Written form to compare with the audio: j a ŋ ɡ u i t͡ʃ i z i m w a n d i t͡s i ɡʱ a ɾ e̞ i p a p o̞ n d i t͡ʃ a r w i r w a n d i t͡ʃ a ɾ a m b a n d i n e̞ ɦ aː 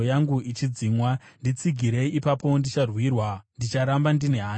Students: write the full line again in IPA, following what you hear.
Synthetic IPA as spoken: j a ŋ ɡ u i t͡ʃ i d͡z i m w a n d i t͡s i ɡʱ i ɾ e̞ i p a p o̞ n d i t͡ʃ a r w i r w a n d i t͡ʃ a ɾ a m b a n d i n e̞ ɦ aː

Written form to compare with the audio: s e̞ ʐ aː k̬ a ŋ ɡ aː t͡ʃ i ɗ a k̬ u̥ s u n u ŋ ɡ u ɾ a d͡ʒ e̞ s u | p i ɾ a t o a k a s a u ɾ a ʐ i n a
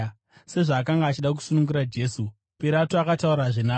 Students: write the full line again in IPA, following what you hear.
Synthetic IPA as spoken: s e̞ ʐ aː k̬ a ŋ ɡ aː t͡ʃ i ɗ a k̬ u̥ s u n u ŋ ɡ u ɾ a d͡ʒ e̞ s u | p i ɾ a t o a k a t a u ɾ a ʐ i n a

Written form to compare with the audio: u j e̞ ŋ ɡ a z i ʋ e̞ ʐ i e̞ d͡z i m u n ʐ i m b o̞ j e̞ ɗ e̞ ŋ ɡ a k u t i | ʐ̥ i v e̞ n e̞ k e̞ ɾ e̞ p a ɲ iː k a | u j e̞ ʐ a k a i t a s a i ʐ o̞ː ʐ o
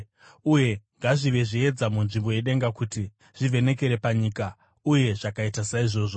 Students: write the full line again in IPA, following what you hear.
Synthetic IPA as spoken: u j e̞ ŋ ɡ a ʐ i ʋ e̞ ʐ i e̞ d͡z a m u n ʐ i m b o̞ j e̞ ɗ e̞ ŋ ɡ a k u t i | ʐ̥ i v e̞ n e̞ k e̞ ɾ e̞ p a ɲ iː k a | u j e̞ ʐ a k a i t a s a i ʐ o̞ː ʐ o

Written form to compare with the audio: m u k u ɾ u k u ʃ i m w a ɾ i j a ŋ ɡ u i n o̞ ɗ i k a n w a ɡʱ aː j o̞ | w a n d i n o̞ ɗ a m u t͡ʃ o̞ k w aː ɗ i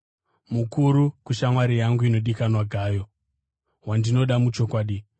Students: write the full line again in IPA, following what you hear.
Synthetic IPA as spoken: m u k u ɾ u k u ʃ a m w a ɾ i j a ŋ ɡ u i n o̞ ɗ i k a n w a ɡʱ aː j o̞ | w a n d i n o̞ ɗ a m u t͡ʃ o̞ k w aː ɗ i

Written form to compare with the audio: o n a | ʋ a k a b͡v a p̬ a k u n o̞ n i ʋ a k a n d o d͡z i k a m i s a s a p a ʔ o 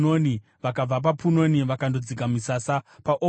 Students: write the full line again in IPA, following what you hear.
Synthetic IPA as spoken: o n i | ʋ a k a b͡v a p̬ a p u n o̞ n i ʋ a k a n d o d͡z i k a m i s a s a p a ʔ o

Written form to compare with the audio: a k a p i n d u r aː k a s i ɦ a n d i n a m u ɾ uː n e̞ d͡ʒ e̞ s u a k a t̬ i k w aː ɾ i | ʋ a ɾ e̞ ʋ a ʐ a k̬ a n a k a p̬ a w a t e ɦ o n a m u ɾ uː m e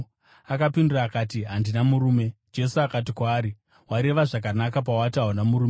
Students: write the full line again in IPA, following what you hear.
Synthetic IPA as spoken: a k a p i n d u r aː k a t i ɦ a n d i n a m u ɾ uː m e̞ d͡ʒ e̞ s u a k a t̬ i k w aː ɾ i | w a ɾ e̞ ʋ a ʐ a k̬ a n a k a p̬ a w a t a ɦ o n a m u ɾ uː m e

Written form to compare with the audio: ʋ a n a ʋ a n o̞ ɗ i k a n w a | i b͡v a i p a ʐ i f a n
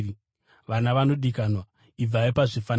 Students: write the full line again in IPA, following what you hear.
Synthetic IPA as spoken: ʋ a n a ʋ a n o̞ ɗ i k a n w a | i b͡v a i p a ʐ i f a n

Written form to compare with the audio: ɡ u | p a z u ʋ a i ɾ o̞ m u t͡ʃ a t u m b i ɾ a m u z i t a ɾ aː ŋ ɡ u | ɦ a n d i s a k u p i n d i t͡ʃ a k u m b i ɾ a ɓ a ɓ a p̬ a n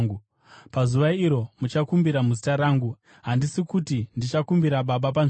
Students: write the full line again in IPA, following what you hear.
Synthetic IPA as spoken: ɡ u | p a z u ʋ a i ɾ o̞ m u t͡ʃ a k u m b i ɾ a m u z i t a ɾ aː ŋ ɡ u | ɦ a n d i s i k u t i n d i t͡ʃ a k u m b i ɾ a ɓ a ɓ a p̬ a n

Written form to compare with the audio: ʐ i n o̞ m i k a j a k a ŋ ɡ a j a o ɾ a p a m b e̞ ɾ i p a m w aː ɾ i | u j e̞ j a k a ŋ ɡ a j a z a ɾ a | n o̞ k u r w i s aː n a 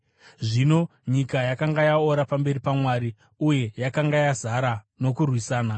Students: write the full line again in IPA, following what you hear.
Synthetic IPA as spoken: ʐ i n o̞ ɲ i k a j a k a ŋ ɡ a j a o ɾ a p a m b e̞ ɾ i p a m w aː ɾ i | u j e̞ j a k a ŋ ɡ a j a z a ɾ a | n o̞ k u r w i s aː n a

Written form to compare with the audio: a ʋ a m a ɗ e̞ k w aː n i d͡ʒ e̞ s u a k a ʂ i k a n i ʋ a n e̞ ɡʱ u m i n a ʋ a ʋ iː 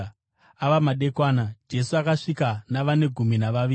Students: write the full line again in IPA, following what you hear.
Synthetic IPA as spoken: a ʋ a m a ɗ e̞ k w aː n a d͡ʒ e̞ s u a k a ʂ i k a n a ʋ a n e̞ ɡʱ u m i n a ʋ a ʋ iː

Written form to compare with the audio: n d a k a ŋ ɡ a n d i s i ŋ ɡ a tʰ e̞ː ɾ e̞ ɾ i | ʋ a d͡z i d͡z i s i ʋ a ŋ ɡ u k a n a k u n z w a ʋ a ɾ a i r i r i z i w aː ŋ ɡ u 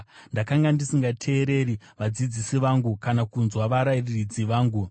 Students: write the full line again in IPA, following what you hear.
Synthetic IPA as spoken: n d a k a ŋ ɡ a n d i s i ŋ ɡ a tʰ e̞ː ɾ e̞ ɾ i | ʋ a d͡z i d͡z i s i ʋ a ŋ ɡ u k a n a k u n z w a ʋ a ɾ a i r i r i d͡z i ʋ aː ŋ ɡ u

